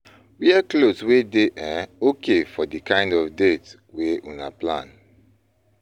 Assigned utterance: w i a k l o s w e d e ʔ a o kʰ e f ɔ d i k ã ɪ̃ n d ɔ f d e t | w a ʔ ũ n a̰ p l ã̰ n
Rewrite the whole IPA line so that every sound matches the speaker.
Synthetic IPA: w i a k l o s w e d e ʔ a o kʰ e f ɔ d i k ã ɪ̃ n d ɔ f d e t | w e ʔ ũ n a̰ p l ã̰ n